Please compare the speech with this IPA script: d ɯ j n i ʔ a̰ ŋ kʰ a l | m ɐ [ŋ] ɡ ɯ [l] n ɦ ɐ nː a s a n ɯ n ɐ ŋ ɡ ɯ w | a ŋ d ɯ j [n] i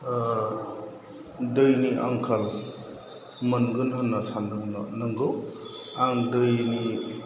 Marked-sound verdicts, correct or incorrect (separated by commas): incorrect, incorrect, correct